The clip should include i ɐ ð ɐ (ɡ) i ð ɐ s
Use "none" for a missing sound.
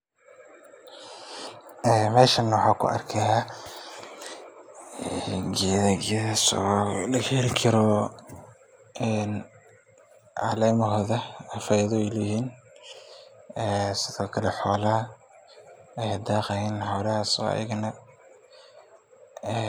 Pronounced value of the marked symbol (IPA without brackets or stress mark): ɡ